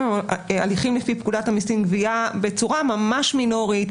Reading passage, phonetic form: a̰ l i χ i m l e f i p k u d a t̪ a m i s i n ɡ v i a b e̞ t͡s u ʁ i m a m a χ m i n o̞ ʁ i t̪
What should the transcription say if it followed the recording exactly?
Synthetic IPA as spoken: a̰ l i χ i m l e f i p k u d a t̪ a m i s i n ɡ v i a b e̞ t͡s u ʁ a m a m a ʃ m i n o̞ ʁ i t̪